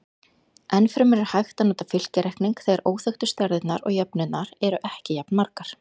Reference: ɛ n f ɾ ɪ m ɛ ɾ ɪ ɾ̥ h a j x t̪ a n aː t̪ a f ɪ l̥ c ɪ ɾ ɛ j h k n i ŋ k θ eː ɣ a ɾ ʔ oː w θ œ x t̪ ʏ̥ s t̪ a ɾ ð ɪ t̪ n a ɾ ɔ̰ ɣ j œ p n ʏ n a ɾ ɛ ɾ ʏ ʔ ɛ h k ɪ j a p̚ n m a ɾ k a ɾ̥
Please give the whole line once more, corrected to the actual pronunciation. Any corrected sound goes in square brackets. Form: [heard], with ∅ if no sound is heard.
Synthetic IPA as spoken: ɛ n f ɾ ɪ m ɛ ɾ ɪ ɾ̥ h a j x t̪ a n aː t̪ a f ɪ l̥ c ɪ ɾ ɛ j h k n i ŋ k θ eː ɣ a ɾ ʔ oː w θ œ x t̪ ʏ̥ s t̪ a ɾ ð ɪ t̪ n a ɾ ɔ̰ ɣ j œ p n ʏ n a ɾ ɛ ɾ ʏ ʔ ɛ h [c] ɪ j a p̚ n m a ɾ k a ɾ̥